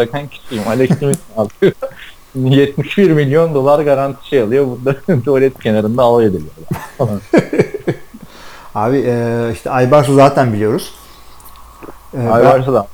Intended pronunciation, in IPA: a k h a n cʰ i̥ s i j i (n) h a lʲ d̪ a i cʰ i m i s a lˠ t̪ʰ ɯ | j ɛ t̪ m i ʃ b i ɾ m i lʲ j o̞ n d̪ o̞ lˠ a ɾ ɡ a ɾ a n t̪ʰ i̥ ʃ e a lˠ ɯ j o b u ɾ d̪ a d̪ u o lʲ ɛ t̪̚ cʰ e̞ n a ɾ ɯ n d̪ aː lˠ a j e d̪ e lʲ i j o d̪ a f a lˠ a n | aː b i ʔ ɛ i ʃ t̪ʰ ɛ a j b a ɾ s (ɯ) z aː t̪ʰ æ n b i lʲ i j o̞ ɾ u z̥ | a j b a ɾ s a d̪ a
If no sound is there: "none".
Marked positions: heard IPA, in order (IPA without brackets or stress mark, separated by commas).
m, u